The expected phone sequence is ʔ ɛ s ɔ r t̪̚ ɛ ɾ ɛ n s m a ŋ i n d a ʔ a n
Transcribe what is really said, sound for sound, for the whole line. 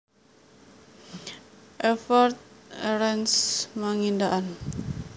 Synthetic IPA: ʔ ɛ f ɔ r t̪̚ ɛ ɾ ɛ n s m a ŋ i n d a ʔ a n